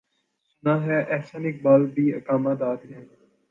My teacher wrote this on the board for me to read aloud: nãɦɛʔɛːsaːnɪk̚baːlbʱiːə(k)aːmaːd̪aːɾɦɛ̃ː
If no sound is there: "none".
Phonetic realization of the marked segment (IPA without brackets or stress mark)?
k